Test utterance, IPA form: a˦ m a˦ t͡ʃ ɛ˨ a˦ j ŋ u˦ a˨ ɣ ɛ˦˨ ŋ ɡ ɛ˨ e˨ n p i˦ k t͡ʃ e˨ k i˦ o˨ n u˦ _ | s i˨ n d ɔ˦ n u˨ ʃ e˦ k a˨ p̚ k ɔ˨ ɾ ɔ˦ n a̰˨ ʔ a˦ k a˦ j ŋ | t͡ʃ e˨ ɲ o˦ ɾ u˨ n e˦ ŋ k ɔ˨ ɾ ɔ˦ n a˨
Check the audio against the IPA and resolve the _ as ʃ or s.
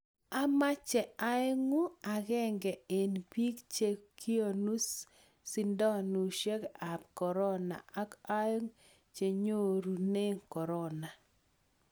s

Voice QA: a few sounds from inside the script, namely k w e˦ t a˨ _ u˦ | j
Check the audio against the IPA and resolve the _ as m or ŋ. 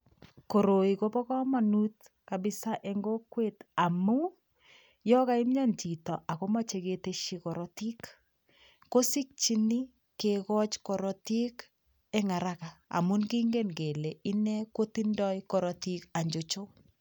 m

